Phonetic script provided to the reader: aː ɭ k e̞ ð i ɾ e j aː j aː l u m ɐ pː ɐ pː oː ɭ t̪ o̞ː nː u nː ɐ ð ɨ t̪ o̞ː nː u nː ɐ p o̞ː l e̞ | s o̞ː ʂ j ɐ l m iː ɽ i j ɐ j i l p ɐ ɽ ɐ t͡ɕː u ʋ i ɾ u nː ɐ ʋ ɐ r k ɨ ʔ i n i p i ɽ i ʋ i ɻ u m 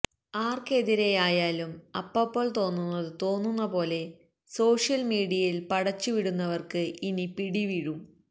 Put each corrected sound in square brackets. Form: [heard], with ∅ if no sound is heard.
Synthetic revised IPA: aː [r] k e̞ ð i ɾ e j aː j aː l u m ɐ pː ɐ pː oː ɭ t̪ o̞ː nː u nː ɐ ð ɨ t̪ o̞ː nː u nː ɐ p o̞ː l e̞ | s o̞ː ʂ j ɐ l m iː ɽ i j ɐ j i l p ɐ ɽ ɐ t͡ɕː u ʋ i [ɽ] u nː ɐ ʋ ɐ r k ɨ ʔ i n i p i ɽ i ʋ i ɻ u m